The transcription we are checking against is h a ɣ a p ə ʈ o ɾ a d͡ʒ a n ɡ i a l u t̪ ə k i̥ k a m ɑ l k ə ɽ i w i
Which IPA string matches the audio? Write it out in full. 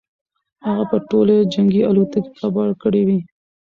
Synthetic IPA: h a ɣ a p ə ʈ o l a d͡ʒ a ŋ ɡ i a l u t̪ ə k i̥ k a b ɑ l k ə ɽ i w i